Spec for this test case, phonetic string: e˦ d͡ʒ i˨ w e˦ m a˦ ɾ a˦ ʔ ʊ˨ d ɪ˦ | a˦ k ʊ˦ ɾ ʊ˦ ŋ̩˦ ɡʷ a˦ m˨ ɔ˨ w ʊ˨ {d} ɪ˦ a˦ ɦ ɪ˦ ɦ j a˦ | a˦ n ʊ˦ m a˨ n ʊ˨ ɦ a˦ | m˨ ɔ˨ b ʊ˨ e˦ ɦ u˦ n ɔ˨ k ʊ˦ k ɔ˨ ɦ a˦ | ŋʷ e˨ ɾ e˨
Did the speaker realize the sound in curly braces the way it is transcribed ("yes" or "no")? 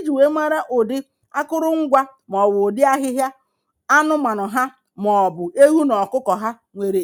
yes